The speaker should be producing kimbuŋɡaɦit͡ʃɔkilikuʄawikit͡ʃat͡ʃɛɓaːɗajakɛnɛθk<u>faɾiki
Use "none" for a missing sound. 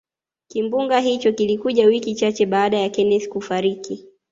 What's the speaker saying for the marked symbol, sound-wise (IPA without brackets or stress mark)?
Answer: u